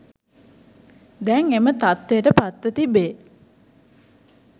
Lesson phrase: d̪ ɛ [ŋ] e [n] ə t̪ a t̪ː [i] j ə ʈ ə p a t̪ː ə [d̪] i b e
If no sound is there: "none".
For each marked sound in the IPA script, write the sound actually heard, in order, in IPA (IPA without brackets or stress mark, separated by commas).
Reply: ŋ, m, e, t̪